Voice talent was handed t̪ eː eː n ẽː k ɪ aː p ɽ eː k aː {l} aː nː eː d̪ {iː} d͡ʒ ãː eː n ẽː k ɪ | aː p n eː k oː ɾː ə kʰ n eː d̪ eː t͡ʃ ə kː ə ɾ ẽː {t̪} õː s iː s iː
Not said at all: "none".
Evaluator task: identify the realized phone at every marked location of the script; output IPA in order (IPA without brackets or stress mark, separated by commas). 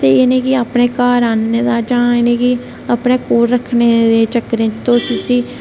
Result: ɾ, aː, t̪